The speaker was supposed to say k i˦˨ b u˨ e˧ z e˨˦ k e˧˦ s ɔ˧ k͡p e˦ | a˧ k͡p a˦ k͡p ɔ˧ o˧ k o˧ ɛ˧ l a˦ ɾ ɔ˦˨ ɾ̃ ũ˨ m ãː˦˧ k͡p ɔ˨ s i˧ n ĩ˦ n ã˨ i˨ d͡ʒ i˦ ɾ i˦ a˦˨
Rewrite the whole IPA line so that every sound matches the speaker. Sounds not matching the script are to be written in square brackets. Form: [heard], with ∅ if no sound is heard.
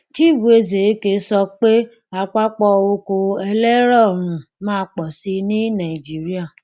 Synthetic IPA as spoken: [t] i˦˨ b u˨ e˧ z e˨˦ k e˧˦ s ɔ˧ k͡p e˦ | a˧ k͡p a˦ k͡p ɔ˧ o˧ k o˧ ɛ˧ l [ɛ˦] ɾ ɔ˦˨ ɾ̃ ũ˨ m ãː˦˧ k͡p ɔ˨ s i˧ n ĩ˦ n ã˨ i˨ d͡ʒ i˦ ɾ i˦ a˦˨